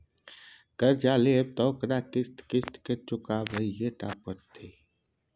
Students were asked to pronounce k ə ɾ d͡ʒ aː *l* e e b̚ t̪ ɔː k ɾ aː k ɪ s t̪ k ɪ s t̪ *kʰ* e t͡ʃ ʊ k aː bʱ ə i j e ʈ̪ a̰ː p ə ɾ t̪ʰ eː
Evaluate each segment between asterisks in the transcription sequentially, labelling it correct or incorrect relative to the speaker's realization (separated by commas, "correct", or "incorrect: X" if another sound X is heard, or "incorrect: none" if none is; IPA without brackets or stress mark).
correct, incorrect: k